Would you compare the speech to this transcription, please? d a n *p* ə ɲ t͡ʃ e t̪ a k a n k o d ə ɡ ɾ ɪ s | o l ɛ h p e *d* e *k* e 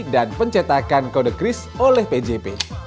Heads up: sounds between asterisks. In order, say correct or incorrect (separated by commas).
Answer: correct, incorrect, incorrect